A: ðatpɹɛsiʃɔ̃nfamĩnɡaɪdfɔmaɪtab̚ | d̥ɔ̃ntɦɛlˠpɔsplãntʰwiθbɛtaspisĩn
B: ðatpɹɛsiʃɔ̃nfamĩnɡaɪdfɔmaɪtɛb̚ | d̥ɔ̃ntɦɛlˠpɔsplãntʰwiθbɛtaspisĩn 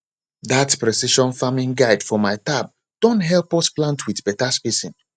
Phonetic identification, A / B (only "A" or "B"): A